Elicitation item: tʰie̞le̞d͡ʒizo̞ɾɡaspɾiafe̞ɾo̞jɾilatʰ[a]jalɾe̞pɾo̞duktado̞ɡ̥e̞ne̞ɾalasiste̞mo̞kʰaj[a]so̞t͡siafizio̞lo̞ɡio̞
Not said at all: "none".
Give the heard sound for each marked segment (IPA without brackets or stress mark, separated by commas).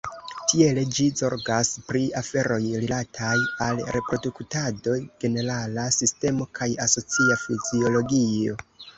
a, a